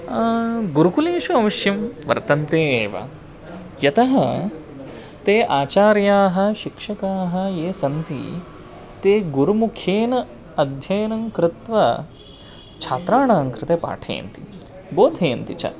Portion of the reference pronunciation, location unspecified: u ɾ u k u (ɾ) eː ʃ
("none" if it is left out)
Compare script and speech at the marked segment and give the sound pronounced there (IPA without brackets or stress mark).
l